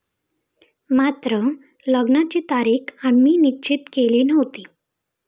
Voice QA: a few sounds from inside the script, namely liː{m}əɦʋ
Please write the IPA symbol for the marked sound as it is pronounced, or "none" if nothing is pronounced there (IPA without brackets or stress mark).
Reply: n